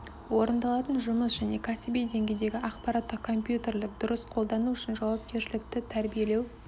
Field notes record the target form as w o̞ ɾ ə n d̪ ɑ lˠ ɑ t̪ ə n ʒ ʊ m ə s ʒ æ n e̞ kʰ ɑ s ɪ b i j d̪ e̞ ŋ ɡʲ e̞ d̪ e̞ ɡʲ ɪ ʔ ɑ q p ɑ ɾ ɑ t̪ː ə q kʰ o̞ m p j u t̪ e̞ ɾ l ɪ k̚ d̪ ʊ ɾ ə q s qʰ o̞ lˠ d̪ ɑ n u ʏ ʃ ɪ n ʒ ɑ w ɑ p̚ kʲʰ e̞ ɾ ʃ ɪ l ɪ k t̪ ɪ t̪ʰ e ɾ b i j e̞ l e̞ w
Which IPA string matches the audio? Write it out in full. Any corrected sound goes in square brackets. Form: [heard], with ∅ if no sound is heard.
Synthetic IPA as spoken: w o̞ ɾ ə n d̪ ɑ lˠ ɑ t̪ ə n ʒ ʊ m ə s ʒ æ n e̞ kʰ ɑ s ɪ b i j d̪ e̞ ŋ ɡʲ e̞ d̪ e̞ ɡʲ ɪ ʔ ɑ q p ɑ ɾ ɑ t̪ː ə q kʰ o̞ m p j u t̪ e̞ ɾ l ɪ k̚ d̪ ʊ ɾ ə [∅] s qʰ o̞ lˠ d̪ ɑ n u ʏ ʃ ɪ n ʒ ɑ w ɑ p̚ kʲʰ e̞ ɾ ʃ ɪ l ɪ k t̪ ɪ t̪ʰ [æ] ɾ b i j e̞ l e̞ w